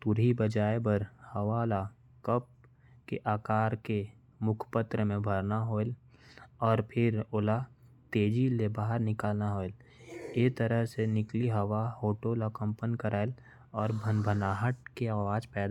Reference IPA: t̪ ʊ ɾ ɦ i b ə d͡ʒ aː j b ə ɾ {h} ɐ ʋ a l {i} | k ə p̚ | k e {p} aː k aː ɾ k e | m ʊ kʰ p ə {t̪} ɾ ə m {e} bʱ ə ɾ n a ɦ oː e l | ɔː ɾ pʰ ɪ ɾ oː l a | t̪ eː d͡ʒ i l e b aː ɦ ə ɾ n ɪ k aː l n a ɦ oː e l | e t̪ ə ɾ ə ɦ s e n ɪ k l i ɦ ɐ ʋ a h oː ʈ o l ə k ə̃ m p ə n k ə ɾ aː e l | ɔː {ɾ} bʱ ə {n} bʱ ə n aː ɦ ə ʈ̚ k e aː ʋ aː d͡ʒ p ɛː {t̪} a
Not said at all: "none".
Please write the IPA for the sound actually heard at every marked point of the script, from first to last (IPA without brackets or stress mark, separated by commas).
h, a, ʔ, t̪, ẽ, ɾ, n, d̪